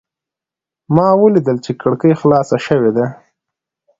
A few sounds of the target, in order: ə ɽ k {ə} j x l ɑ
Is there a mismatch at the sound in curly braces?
no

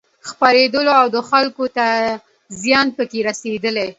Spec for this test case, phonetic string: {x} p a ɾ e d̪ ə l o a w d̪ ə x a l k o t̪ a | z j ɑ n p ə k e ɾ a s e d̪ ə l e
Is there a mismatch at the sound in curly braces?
no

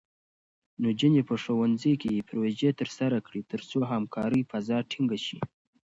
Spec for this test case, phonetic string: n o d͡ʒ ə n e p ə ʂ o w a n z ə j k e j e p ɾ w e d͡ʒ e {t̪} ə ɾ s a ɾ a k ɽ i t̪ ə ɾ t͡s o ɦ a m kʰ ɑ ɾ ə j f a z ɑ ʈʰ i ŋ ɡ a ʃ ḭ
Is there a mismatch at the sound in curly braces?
no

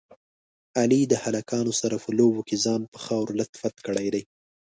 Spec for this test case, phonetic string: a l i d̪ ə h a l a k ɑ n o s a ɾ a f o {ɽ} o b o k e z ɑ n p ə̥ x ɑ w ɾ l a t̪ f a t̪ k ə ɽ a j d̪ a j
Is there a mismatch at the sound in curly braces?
yes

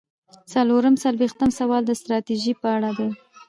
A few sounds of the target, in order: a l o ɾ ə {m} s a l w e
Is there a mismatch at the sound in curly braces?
no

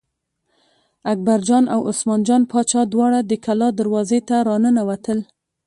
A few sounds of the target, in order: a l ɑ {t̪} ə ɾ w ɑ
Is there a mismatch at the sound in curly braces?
yes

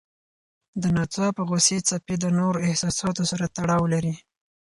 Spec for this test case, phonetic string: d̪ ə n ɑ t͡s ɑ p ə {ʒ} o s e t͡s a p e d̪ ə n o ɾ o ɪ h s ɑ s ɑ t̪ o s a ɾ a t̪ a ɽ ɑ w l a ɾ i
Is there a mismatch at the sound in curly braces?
yes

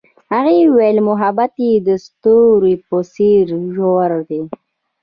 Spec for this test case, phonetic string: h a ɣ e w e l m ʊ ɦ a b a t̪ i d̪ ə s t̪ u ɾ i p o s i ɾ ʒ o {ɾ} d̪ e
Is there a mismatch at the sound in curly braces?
no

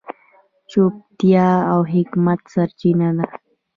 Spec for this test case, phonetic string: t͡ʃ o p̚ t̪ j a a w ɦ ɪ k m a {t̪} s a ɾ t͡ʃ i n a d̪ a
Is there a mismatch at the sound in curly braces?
no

